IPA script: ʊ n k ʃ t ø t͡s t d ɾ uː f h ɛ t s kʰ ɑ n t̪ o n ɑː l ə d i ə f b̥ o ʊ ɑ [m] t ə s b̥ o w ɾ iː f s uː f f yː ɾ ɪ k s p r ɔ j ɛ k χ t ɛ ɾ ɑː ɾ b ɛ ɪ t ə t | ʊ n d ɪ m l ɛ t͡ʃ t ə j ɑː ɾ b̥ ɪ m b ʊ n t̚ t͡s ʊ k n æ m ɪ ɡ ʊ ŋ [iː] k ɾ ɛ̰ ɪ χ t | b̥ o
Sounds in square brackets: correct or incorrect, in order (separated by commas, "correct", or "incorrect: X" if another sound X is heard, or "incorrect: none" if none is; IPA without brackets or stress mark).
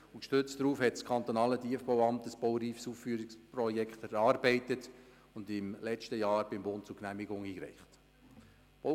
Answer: correct, correct